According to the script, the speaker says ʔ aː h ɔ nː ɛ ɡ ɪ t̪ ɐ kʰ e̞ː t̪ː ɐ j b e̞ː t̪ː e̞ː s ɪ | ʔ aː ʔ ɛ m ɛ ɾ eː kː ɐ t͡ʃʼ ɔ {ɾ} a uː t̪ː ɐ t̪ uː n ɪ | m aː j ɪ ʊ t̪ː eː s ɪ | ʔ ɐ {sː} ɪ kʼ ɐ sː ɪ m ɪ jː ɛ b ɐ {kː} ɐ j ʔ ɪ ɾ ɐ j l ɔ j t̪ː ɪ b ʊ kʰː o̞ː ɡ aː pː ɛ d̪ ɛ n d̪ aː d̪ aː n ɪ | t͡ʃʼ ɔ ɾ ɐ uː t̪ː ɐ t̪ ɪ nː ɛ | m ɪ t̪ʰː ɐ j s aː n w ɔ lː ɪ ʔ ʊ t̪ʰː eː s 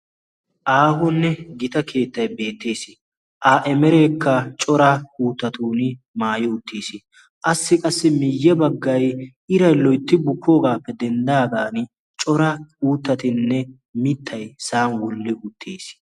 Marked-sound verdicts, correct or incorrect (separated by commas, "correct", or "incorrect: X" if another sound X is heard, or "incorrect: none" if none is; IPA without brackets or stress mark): correct, correct, incorrect: ɡː